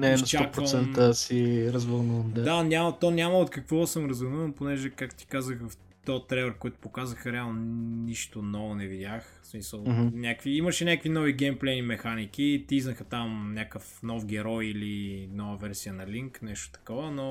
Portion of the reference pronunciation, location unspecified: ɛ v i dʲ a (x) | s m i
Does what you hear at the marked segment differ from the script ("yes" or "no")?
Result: no